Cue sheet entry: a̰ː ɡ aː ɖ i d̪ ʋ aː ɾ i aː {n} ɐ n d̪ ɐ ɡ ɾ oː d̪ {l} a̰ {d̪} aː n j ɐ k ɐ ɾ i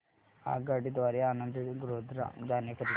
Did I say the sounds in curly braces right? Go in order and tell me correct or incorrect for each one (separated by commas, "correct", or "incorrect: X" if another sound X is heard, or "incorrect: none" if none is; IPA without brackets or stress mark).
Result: correct, incorrect: ɾ, correct